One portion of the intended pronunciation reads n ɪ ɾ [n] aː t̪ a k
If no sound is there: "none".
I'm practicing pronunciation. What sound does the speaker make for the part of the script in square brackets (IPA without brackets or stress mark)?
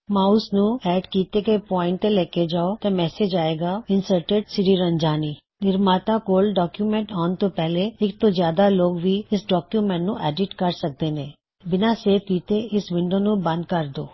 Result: m